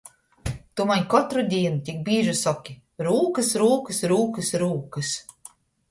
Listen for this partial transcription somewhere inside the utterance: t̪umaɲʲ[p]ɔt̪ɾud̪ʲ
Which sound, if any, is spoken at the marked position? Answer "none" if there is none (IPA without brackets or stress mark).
k